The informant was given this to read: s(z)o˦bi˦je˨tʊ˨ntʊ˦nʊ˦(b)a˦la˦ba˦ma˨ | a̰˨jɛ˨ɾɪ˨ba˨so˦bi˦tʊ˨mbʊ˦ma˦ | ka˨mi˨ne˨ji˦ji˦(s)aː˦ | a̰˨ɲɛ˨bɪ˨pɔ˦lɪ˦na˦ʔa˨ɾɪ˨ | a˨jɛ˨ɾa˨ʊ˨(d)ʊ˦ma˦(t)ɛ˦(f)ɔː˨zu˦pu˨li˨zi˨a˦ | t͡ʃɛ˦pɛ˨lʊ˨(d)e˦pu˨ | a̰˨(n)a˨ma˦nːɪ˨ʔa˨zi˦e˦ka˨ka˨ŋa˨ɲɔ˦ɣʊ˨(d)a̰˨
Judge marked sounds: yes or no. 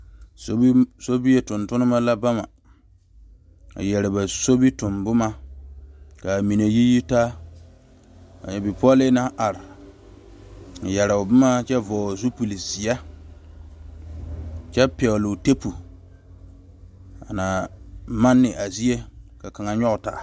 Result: no, no, no, no, no, no, no, yes, no

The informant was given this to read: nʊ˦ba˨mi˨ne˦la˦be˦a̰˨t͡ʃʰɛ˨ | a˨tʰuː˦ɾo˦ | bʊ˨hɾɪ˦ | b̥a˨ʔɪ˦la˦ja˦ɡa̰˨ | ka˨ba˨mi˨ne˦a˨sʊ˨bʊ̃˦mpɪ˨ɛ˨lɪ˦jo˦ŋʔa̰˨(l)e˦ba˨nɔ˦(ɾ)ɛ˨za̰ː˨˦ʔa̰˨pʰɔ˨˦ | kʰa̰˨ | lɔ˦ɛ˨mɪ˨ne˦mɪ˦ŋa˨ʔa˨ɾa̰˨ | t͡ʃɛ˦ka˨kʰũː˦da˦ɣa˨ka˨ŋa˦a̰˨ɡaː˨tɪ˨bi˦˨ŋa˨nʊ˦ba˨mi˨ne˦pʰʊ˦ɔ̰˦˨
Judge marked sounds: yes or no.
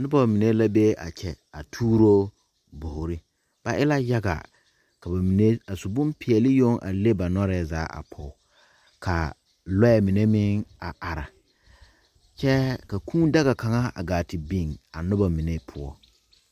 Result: yes, yes

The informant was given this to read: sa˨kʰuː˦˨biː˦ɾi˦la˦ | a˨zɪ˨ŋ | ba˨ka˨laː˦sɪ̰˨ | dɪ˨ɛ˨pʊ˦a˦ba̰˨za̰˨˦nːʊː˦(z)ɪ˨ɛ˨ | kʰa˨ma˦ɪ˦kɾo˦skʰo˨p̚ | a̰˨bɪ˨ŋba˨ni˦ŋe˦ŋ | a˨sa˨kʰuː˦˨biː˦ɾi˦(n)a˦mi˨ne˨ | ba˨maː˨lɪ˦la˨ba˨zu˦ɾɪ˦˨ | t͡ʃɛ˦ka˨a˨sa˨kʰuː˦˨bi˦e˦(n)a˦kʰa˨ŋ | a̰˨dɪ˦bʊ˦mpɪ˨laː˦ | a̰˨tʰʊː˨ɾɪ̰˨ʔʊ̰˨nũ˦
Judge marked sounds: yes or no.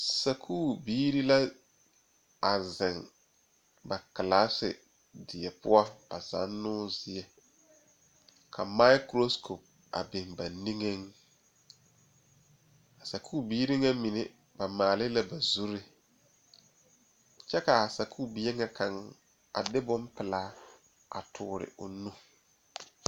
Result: yes, no, no

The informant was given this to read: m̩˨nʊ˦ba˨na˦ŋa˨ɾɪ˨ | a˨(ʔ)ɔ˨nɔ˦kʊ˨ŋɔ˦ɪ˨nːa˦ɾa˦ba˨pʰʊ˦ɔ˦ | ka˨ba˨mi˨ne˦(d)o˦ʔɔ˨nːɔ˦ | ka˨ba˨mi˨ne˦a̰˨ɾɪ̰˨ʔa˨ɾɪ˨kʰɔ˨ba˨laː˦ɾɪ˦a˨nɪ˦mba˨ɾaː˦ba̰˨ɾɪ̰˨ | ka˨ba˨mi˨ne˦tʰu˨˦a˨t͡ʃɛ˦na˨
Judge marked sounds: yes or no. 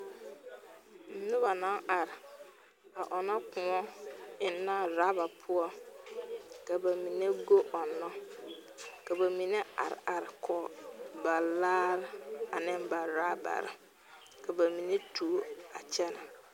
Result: yes, no

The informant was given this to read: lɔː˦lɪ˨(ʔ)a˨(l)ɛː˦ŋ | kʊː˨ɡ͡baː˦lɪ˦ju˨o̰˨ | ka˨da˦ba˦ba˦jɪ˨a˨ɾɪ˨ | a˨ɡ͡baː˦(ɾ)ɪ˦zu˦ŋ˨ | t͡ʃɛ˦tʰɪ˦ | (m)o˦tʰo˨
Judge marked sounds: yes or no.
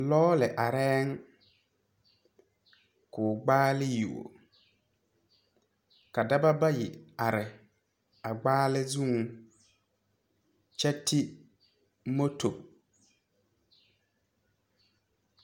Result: yes, no, no, yes

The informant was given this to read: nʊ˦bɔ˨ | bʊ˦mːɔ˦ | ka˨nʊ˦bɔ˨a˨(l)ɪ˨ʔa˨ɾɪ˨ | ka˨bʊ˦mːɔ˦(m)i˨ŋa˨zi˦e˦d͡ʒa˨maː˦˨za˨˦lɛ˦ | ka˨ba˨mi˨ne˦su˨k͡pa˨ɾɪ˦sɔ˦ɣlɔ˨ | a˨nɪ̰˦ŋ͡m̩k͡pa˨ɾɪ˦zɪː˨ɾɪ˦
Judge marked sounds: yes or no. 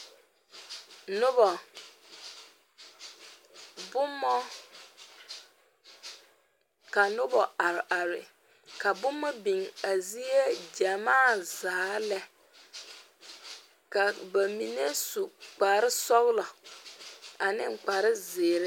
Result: no, no

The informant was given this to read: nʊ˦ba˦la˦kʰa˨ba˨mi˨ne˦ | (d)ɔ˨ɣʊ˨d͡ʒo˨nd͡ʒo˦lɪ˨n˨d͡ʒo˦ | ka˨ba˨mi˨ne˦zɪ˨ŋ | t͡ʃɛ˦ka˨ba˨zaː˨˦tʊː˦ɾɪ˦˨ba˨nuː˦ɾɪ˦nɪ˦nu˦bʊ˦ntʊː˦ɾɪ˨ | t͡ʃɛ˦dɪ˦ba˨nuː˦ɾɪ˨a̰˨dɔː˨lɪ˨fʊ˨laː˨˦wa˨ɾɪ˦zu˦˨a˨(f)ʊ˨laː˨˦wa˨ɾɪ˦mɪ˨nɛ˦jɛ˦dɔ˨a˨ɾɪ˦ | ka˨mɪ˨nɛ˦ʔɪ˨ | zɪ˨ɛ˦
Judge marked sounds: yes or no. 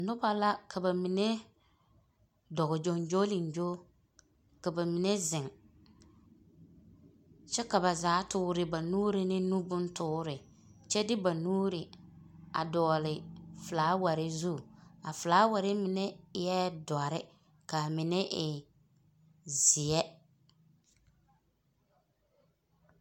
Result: yes, yes

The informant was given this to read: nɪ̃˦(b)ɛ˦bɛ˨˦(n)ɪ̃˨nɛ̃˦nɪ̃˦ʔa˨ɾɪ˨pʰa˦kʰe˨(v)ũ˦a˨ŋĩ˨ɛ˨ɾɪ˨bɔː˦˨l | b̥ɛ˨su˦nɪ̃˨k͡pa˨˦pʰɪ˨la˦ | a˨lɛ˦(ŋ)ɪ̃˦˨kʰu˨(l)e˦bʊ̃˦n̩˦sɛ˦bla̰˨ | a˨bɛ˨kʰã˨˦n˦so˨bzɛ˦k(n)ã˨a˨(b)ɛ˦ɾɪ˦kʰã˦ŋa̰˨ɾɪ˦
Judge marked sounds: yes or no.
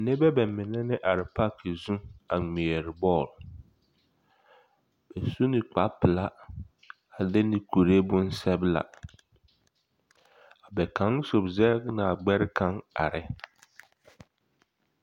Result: yes, no, no, no, no, yes, no

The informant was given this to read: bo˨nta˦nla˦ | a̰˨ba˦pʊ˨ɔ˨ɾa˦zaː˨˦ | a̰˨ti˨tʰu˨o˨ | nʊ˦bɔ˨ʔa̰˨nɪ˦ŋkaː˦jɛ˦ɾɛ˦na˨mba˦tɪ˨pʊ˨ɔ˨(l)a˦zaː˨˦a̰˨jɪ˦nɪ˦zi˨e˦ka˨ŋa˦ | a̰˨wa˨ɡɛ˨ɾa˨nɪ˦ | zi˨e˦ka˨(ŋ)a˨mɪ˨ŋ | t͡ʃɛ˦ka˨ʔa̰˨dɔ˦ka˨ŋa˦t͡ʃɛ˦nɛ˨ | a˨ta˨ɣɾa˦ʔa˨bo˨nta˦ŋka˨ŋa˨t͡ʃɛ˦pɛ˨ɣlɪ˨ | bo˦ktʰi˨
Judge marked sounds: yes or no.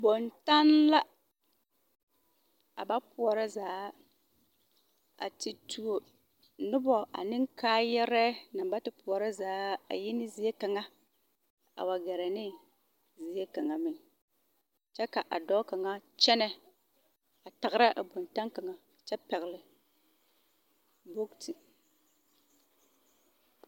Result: no, yes

